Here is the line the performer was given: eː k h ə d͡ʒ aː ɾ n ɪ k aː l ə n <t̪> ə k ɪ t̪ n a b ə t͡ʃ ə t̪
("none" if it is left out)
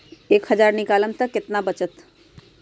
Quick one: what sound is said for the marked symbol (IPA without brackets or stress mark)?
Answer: t̪